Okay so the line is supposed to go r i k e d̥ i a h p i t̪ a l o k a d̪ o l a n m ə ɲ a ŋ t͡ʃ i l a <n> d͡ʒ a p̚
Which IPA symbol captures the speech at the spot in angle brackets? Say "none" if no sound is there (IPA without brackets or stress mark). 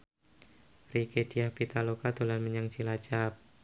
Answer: none